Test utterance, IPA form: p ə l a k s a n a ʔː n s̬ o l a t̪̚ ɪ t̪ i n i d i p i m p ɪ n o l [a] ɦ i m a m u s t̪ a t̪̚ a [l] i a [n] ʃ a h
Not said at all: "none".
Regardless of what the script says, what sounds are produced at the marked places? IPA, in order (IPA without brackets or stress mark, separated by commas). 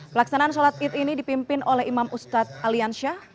ɛ, l, n